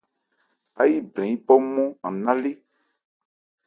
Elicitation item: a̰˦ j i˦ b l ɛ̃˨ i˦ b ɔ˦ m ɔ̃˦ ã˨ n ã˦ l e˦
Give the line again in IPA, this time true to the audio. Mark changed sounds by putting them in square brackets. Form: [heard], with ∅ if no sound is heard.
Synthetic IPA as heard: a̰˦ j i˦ b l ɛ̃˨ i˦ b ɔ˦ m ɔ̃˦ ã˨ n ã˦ l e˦